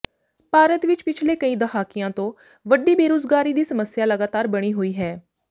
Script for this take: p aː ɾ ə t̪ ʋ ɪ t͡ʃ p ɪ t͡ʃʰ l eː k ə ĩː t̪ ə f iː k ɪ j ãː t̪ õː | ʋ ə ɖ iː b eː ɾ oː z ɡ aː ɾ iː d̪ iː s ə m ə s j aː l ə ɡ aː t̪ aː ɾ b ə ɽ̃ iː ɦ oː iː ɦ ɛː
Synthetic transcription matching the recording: p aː ɾ ə t̪ ʋ ɪ t͡ʃ p ɪ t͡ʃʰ l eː k ə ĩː d̪ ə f aː k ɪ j ãː t̪ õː | ʋ ə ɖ iː b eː ɾ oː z ɡ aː ɾ iː d̪ iː s ə m ə s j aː l ə ɡ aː t̪ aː ɾ b ə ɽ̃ iː ɦ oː iː ɦ ɛː